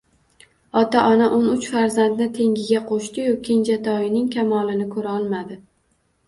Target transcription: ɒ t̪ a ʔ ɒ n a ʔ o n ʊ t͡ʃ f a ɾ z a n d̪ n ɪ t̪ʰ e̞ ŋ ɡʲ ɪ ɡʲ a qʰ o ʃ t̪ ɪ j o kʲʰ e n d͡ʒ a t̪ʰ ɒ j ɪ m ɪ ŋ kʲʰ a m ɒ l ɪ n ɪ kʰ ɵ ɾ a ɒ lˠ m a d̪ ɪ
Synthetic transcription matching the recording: ɒ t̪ a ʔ ɒ n a ʔ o n ʊ t͡ʃ f a ɾ z a n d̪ n ɪ t̪ʰ e̞ ŋ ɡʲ ɪ ɡʲ a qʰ o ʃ t̪ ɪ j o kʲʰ e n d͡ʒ a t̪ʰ ɒ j ɪ n ɪ ŋ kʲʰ a m ɒ l ɪ n ɪ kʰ ɵ ɾ a ɒ lˠ m a d̪ ɪ

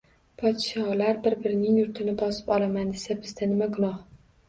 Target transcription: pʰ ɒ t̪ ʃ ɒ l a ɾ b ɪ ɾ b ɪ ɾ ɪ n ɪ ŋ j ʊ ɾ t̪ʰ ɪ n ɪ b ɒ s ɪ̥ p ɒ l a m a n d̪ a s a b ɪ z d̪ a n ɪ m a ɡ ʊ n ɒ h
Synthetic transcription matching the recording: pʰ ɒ t̪ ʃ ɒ l a ɾ b ɪ ɾ b ɪ ɾ ɪ n ɪ ŋ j ʊ ɾ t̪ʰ ɪ n ɪ b ɒ s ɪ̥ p ɒ l a m a n d̪ e s a b ɪ z d̪ a n ɪ m a ɡ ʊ n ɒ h

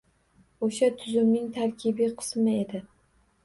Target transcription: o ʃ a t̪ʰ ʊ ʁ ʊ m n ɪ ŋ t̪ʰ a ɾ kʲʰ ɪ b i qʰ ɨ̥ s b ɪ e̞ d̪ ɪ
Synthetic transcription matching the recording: o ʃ a t̪ʰ ʊ z ʊ m n ɪ ŋ t̪ʰ a ɾ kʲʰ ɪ b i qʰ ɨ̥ s m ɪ e̞ d̪ ɪ

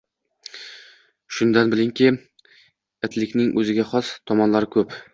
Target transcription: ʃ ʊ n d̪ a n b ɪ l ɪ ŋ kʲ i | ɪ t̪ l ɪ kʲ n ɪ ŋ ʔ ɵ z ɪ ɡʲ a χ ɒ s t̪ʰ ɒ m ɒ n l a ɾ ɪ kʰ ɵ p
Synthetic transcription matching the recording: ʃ ʊ n d̪ a n b ɪ l ɪ ŋ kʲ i | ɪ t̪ l ɪ kʲ n ɪ ŋ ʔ ɵ z ɪ ɡʲ a χ ɒ s t̪ʰ ɒ m ɒ n l a ɾ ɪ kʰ ɵ p

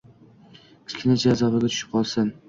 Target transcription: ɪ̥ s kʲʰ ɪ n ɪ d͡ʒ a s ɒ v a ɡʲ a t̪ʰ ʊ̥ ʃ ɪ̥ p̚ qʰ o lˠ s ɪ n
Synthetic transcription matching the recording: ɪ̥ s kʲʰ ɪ n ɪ d͡ʒ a z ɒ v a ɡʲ a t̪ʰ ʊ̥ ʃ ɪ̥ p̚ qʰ ɒ lˠ s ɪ n

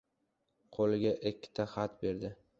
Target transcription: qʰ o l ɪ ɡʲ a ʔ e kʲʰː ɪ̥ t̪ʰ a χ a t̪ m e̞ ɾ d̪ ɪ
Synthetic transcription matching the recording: qʰ o l ɪ ɡʲ a ʔ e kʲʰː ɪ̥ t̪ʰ a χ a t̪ b e̞ ɾ d̪ ɪ

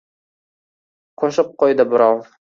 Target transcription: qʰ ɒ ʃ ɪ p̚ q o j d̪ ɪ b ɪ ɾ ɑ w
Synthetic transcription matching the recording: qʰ o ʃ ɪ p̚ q o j d̪ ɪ b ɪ ɾ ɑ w

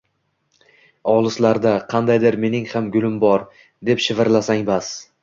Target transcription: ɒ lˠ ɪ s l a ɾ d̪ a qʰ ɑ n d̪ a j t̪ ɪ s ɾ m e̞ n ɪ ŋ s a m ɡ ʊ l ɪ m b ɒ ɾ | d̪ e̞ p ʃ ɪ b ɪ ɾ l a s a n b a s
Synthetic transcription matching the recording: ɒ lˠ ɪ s l a ɾ d̪ a qʰ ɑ n d̪ a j d̪ ɪ ɾ m e̞ n ɪ ŋ h a m ɡ ʊ l ɪ m b ɒ ɾ | d̪ e̞ p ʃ ɪ v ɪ ɾ l a s a ŋ b a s

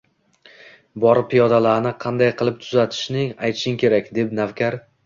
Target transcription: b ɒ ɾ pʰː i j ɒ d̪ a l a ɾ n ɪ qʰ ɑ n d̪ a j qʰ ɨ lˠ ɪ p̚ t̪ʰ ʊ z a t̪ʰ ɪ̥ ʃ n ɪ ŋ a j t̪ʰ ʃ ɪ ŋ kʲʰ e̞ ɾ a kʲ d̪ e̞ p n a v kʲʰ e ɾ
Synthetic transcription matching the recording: b ɒ ɾ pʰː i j ɒ d̪ a l a ɾ n ɪ qʰ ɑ n d̪ a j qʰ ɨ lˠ ɪ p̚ t̪ʰ ʊ z a t̪ʰ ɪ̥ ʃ n ɪ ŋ a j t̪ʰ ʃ ɪ ŋ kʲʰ e̞ ɾ a kʲ d̪ e̞ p n a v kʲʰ a ɾ

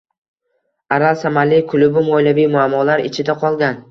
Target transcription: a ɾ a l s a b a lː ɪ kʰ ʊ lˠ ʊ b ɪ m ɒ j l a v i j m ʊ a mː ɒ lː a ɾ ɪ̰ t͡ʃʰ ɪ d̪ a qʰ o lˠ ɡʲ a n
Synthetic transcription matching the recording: a ɾ a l s a m a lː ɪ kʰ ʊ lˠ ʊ b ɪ m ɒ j l a v i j m ʊ a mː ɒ l a ɾ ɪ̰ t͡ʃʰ ɪ d̪ a qʰ ɒ lˠ ɡʲ a n

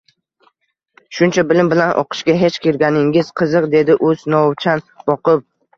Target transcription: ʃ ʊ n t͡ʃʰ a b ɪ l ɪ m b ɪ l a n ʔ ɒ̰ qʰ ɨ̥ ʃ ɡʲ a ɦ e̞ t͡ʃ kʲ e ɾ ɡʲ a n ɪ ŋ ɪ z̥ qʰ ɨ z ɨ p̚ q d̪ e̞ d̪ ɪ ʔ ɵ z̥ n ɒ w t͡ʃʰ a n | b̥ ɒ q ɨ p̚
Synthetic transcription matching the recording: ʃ ʊ n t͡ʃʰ a b ɪ l ɪ m b ɪ l a n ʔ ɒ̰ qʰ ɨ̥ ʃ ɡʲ a ɦ e̞ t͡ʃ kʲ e ɾ ɡʲ a n ɪ ŋ ɪ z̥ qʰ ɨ z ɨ q d̪ e̞ d̪ ɪ ʔ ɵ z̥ n ɒ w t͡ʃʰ a n | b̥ ɒ q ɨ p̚

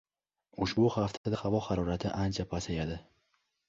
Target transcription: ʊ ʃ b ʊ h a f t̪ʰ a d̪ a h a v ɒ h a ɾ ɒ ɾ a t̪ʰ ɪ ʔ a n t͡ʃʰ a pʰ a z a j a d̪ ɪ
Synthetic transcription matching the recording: ʊ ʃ b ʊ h a f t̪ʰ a d̪ a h a v ɒ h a ɾ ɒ ɾ a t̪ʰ ɪ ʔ a n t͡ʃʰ a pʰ a s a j a d̪ ɪ

